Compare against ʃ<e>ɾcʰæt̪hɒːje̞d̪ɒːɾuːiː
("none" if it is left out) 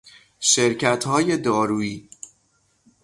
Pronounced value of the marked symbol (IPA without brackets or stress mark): e